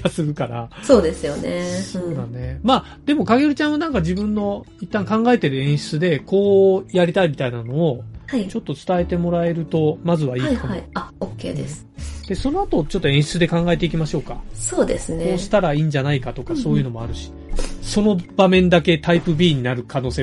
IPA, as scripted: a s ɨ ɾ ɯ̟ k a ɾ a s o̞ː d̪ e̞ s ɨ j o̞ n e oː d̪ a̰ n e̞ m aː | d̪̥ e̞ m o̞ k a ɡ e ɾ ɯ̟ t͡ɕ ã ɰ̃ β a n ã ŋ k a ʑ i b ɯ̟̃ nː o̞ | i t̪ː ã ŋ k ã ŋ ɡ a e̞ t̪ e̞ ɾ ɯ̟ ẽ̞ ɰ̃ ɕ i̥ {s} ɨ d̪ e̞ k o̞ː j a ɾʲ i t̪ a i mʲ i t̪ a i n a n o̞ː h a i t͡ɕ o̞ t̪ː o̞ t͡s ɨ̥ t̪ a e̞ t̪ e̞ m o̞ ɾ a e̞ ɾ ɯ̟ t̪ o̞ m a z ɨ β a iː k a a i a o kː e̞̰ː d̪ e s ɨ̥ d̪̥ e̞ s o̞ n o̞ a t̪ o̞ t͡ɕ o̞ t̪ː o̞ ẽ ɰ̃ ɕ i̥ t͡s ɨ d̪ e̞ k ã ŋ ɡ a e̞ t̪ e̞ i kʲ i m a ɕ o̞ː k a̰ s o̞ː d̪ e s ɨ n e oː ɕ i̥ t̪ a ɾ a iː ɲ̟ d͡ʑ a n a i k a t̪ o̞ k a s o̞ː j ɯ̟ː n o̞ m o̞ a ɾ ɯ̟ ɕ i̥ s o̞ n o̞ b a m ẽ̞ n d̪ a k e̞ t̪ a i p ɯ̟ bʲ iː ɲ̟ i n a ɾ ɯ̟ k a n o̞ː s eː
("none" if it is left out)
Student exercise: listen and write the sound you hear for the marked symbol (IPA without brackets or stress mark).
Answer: t͡s